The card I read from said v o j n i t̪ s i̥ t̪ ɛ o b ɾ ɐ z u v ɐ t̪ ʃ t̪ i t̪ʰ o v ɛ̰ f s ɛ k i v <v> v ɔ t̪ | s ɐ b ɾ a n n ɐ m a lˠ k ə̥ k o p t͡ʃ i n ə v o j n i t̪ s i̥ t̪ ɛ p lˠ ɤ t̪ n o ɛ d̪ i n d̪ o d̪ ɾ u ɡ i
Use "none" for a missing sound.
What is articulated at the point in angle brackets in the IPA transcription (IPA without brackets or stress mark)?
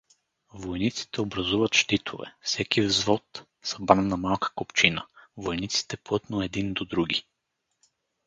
z